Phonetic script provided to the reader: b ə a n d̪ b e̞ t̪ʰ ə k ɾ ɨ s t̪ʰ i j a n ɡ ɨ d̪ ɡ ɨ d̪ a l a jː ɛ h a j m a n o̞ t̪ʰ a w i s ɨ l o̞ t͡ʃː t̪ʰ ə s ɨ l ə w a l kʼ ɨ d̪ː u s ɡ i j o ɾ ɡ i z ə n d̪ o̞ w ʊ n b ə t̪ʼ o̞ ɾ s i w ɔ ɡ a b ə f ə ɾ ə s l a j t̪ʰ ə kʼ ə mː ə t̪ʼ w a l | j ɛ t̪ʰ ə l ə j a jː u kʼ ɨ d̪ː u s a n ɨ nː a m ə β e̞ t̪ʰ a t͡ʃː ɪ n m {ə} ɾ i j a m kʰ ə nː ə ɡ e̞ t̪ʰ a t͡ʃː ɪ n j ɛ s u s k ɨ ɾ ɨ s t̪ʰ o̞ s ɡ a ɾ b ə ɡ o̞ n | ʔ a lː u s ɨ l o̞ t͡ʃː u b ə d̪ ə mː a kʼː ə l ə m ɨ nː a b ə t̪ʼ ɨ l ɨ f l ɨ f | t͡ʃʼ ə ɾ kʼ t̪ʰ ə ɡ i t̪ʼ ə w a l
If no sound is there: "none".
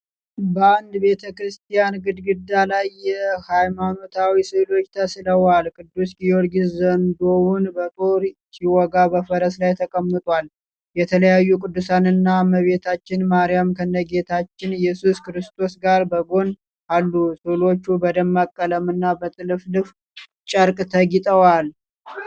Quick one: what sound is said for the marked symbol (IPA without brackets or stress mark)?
a